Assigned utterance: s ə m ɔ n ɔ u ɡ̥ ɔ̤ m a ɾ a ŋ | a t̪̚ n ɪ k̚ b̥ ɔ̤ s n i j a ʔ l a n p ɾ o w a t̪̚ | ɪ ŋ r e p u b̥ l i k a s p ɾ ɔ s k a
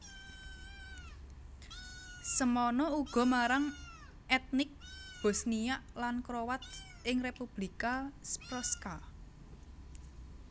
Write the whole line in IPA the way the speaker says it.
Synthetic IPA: s ə m ɔ n ɔ u ɡ̥ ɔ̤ m a ɾ a ŋ | ɛ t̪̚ n ɪ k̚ b̥ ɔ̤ s n i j a ʔ l a n k ɾ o w a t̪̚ | ɪ ŋ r e p u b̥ l i k a s p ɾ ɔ s k a